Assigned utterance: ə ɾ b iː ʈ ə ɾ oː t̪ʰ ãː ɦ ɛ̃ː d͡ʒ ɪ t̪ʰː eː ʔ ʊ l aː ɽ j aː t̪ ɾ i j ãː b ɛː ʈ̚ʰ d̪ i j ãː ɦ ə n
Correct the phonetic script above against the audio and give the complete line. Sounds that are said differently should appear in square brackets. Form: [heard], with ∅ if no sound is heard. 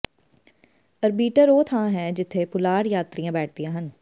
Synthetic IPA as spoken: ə ɾ b iː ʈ ə ɾ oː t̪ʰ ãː ɦ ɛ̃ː d͡ʒ ɪ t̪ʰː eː [p] ʊ l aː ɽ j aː t̪ ɾ i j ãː b ɛː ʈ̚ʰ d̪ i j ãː ɦ ə n